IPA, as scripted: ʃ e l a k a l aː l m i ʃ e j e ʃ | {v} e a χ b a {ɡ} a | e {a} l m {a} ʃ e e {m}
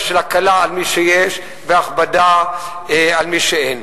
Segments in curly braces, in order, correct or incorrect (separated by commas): correct, incorrect, correct, incorrect, incorrect